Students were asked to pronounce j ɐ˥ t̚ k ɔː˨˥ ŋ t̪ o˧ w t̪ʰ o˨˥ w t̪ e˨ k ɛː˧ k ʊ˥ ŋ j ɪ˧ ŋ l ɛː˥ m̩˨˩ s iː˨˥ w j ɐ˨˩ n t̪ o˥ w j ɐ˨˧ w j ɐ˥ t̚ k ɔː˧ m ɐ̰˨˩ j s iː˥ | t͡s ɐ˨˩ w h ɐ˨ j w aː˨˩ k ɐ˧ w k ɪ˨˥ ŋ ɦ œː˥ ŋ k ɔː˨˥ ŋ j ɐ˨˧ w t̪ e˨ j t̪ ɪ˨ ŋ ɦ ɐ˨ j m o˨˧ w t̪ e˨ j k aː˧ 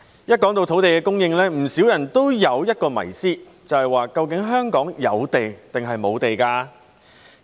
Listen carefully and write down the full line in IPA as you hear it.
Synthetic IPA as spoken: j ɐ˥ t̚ k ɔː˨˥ ŋ t̪ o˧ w t̪ʰ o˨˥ w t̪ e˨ k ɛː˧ k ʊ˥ ŋ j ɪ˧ ŋ l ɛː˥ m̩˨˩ s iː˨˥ w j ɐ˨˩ n t̪ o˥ w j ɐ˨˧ w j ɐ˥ t̚ k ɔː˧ m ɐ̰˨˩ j s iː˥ | t͡s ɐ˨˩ w h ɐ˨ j w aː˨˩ k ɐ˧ w k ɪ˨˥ ŋ ɦ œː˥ ŋ k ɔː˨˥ ŋ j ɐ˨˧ w t̪ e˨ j t̪ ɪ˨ ŋ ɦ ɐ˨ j m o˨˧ w t̪ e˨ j k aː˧